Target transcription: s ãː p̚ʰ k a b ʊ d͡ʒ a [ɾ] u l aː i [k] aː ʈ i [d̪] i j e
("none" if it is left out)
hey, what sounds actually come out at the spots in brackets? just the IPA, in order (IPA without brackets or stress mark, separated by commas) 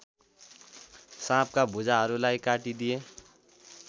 ɾ, k, d̪